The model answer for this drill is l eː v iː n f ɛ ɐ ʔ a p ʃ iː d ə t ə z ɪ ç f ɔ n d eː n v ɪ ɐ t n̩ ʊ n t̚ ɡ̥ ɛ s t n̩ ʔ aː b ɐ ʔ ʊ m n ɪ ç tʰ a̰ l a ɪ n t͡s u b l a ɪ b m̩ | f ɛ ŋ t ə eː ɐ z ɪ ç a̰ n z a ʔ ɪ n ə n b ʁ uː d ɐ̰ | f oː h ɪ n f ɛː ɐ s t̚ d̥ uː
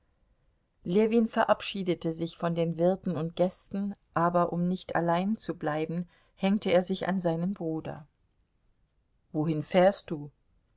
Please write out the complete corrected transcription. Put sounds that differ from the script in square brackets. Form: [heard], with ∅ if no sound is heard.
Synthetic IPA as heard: l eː v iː n f ɛ ɐ ʔ a p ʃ iː d ə t ə z ɪ ç f ɔ n d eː n v ɪ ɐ t n̩ ʊ n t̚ ɡ̥ ɛ s t n̩ ʔ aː b ɐ ʔ ʊ m n ɪ ç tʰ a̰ l a ɪ n t͡s u b l a ɪ b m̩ | [h] ɛ ŋ t ə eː ɐ z ɪ ç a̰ n z a [∅] ɪ n ə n b ʁ uː d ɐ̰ | [v] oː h ɪ n f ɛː ɐ s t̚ d̥ uː